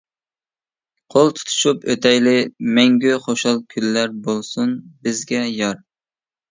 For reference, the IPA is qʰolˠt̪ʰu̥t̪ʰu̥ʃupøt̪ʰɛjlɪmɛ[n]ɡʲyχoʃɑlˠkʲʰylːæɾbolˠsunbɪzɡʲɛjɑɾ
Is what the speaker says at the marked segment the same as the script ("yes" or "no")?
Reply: no